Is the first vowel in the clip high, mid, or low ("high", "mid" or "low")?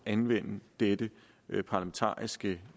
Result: low